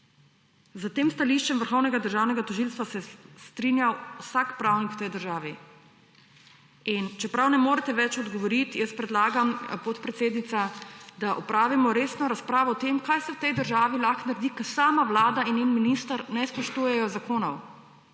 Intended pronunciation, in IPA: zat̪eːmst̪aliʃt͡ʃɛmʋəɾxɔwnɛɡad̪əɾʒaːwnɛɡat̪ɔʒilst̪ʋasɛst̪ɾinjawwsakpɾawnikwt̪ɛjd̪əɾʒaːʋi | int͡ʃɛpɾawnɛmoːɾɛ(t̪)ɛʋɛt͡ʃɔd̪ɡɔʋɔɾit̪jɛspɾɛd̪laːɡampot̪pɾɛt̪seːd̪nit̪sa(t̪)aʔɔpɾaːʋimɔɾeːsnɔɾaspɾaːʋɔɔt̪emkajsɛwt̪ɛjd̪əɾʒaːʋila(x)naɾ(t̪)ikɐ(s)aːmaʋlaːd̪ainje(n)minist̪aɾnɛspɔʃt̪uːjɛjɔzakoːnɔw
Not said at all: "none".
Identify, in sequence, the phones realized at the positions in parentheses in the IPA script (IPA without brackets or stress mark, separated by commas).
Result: t̪, d̪, x, d̪, s, n